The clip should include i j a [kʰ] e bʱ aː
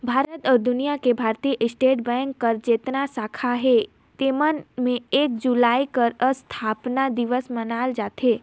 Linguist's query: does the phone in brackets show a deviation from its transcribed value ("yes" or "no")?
yes